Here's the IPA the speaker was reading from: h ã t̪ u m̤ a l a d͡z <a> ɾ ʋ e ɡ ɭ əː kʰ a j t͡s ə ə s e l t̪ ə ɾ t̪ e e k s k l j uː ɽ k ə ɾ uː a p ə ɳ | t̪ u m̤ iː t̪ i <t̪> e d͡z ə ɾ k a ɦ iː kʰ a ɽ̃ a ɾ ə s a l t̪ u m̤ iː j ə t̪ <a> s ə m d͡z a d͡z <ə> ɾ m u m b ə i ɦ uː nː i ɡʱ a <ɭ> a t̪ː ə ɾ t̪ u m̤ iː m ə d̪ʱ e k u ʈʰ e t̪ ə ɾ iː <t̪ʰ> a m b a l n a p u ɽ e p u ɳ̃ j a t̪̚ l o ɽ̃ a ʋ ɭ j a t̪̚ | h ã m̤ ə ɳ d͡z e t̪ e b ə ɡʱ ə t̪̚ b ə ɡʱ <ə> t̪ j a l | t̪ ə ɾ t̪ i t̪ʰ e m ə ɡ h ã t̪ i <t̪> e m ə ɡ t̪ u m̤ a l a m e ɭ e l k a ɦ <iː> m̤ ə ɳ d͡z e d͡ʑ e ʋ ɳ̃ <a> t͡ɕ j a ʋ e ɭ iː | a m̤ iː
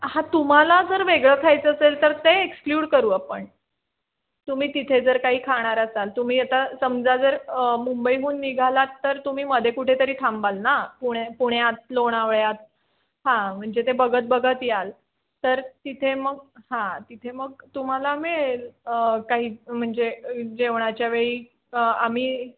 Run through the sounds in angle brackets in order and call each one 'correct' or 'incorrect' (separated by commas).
incorrect, incorrect, correct, correct, incorrect, correct, correct, incorrect, correct, correct